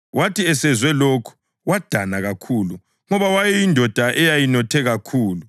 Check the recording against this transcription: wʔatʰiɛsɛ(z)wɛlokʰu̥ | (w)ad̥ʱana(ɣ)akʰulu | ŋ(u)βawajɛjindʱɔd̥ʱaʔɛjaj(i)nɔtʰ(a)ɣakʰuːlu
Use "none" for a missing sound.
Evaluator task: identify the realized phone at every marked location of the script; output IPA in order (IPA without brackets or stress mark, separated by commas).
z, w, ɣ, ɔ, i, ɛ